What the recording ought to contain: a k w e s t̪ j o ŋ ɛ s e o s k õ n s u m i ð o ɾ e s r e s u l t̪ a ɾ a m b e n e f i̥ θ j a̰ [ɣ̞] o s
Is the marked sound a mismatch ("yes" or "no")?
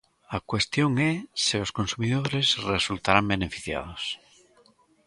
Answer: yes